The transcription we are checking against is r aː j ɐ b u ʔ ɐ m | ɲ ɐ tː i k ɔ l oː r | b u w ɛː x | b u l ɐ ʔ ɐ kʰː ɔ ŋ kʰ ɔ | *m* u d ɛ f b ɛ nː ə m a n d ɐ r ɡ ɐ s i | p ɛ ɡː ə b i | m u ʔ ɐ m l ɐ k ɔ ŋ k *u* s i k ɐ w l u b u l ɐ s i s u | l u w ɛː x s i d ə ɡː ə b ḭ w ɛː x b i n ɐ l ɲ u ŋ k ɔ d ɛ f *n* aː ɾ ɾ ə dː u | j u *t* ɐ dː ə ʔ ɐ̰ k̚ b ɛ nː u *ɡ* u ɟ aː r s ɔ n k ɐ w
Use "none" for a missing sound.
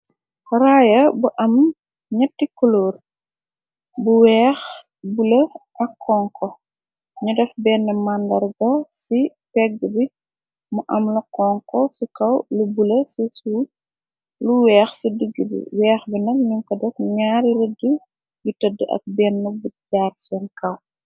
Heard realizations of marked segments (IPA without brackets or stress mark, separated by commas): ɲ, ɔ, ɲ, t, b